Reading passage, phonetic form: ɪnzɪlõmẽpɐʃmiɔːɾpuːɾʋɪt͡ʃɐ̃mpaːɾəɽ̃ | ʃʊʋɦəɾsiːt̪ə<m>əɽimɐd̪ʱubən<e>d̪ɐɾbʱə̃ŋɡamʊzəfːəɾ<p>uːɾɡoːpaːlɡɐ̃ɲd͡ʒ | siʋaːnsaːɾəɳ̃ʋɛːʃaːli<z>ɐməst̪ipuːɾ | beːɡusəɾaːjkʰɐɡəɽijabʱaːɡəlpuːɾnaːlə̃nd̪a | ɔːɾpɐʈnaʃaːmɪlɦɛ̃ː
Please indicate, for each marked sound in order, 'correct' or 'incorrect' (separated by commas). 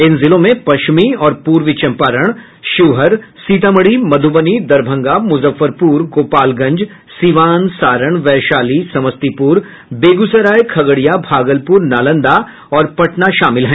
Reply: correct, incorrect, correct, incorrect